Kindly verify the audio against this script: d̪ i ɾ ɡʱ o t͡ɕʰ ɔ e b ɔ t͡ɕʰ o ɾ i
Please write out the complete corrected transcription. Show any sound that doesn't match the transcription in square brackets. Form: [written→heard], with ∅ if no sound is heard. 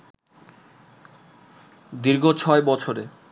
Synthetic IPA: d̪ i ɾ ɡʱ o t͡ɕʰ ɔ e b ɔ t͡ɕʰ o ɾ [i→e]